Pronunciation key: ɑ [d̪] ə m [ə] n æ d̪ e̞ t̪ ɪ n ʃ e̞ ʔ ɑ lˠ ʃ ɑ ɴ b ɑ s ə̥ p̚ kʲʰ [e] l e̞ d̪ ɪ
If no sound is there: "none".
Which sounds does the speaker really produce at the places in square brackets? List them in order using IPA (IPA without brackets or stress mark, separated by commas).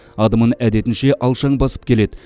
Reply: d̪, ə, e